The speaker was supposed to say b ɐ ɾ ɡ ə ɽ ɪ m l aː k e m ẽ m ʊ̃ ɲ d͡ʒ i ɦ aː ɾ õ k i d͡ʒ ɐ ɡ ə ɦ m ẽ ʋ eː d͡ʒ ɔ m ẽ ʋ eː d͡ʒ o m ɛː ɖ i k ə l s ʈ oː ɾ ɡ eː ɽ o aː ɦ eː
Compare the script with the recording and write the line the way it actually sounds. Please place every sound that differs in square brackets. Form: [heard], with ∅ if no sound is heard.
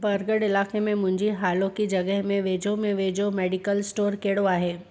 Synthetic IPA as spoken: b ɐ ɾ ɡ ə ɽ ɪ [∅] l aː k e m ẽ m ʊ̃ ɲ d͡ʒ i ɦ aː [l] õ k i d͡ʒ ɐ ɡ ə ɦ m ẽ ʋ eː d͡ʒ [o] m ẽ ʋ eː d͡ʒ o m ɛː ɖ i k ə l s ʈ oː ɾ [k] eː ɽ o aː ɦ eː